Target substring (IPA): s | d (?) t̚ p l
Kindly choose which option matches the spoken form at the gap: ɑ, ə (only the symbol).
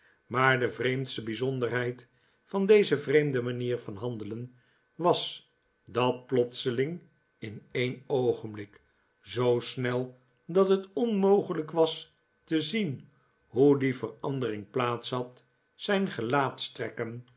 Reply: ɑ